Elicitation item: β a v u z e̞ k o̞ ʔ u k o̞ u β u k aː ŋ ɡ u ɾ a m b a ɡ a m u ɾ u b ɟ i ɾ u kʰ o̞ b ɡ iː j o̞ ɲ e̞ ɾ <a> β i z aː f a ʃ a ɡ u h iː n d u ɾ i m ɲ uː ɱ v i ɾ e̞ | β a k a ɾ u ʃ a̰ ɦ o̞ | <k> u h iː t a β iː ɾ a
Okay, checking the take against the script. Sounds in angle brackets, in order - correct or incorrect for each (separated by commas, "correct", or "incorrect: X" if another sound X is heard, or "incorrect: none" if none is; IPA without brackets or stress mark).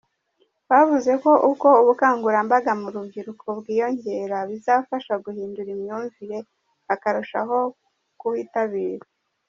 correct, correct